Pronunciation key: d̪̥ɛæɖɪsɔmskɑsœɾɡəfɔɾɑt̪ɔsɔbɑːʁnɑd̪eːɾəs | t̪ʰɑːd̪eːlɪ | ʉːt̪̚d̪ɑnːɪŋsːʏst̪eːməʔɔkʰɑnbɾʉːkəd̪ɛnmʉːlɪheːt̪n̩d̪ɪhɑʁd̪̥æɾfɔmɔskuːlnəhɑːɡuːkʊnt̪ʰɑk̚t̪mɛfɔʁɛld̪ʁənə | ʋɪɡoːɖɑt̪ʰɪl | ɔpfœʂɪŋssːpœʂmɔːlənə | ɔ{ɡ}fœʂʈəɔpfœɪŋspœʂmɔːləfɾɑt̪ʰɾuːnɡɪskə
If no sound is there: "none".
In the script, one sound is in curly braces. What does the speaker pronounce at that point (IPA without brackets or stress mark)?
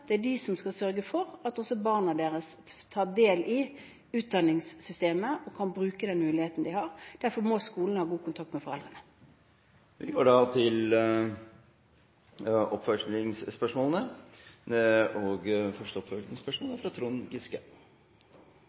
ɡ